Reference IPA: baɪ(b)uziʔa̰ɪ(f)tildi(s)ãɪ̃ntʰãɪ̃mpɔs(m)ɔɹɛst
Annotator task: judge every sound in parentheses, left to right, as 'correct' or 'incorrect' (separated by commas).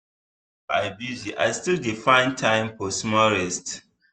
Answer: correct, incorrect, incorrect, correct